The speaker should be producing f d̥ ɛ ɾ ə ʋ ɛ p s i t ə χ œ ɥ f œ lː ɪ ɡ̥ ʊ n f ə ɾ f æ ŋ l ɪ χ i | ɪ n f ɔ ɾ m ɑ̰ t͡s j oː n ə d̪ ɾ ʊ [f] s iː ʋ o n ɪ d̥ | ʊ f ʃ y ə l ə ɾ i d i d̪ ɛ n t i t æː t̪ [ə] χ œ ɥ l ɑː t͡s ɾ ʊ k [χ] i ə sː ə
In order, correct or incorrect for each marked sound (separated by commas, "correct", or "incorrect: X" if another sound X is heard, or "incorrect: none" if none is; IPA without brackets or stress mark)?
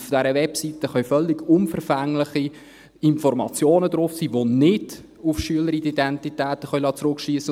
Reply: correct, correct, incorrect: ʃ